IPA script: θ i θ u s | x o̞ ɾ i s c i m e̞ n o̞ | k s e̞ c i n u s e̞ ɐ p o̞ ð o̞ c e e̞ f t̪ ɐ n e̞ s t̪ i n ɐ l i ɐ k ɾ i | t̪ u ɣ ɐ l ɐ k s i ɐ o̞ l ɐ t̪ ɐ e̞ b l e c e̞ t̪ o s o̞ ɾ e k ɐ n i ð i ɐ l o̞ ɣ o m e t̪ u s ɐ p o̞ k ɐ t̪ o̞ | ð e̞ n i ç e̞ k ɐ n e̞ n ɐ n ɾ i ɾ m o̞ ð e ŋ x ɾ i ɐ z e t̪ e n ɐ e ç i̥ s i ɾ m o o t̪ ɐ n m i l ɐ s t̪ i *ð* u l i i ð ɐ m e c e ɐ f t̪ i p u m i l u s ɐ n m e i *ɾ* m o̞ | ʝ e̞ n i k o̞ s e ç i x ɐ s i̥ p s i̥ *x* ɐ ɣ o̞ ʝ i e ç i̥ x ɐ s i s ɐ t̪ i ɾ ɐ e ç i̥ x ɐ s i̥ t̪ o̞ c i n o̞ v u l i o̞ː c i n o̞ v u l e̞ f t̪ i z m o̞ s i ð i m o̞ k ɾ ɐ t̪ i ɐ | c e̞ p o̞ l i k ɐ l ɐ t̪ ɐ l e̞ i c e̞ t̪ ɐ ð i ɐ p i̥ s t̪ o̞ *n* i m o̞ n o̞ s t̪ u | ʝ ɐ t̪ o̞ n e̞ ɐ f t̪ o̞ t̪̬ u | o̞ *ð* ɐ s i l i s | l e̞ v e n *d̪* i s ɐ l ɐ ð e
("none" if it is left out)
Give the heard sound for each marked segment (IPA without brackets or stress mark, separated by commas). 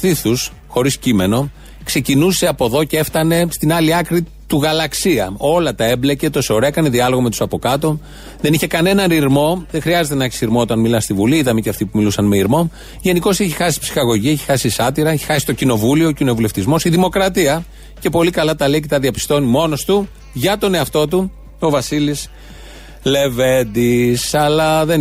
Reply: v, ɾ, x, n, v, d̪